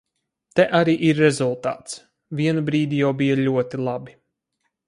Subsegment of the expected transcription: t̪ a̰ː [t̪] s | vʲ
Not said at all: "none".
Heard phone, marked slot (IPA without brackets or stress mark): t̪